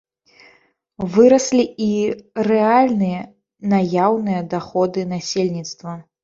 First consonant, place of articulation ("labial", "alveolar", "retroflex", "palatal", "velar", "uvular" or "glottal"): labial